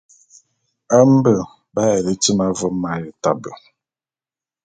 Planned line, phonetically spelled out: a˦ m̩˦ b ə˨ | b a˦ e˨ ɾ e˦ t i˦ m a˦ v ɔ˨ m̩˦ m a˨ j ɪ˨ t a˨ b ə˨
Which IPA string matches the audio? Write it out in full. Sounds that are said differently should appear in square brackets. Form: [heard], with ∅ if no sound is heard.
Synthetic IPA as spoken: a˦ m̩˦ b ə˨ | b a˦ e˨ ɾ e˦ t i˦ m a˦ v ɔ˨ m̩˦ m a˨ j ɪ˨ t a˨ b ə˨